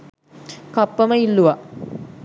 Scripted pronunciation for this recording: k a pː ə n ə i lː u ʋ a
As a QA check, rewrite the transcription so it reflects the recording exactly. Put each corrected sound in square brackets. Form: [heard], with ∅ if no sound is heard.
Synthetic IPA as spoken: k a pː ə [m] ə i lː u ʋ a